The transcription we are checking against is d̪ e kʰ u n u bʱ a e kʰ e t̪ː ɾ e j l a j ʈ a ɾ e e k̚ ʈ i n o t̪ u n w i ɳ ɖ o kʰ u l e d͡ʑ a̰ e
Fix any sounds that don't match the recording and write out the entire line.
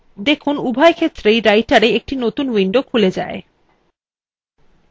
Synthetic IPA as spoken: d̪ e kʰ u n u bʱ a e kʰ e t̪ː ɾ e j ɾ a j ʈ a ɾ e e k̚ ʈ i n o t̪ u n w i ɳ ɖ o kʰ u l e d͡ʑ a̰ e